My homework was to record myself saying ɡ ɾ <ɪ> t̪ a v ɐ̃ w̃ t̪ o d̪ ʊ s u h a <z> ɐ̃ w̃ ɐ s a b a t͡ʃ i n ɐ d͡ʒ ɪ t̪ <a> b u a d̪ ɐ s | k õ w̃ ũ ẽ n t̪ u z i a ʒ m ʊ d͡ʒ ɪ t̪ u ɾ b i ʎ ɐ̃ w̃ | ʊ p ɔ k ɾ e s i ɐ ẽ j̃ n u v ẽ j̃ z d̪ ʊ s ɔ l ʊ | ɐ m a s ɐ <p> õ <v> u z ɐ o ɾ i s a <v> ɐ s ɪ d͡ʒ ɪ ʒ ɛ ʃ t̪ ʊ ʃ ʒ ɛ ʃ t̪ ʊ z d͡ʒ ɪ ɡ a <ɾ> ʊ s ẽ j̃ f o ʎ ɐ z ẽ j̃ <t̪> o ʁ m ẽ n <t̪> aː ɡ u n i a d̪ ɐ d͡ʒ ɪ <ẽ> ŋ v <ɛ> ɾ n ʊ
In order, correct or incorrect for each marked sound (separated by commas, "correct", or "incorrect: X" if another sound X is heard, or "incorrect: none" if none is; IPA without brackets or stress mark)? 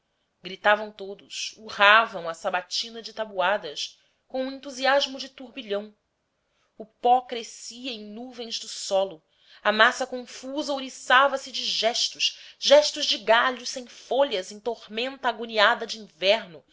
incorrect: i, incorrect: v, correct, incorrect: k, incorrect: f, correct, incorrect: ʎ, correct, correct, incorrect: ĩ, correct